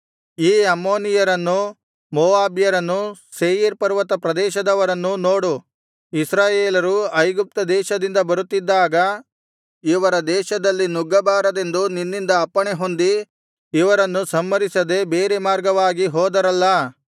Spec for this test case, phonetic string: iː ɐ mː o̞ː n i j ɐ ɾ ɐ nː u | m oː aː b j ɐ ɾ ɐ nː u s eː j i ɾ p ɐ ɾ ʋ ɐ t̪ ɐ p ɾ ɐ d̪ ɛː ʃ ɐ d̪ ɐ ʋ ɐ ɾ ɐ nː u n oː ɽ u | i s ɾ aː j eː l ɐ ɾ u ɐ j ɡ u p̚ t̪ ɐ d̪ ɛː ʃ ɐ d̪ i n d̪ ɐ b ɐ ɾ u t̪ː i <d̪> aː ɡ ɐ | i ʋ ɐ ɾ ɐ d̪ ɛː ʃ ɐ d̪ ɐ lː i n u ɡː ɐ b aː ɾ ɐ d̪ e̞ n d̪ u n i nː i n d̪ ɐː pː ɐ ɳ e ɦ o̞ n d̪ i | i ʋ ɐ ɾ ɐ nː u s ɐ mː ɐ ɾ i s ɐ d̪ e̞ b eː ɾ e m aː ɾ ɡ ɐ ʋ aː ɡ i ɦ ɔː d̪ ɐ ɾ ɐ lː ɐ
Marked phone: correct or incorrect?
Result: incorrect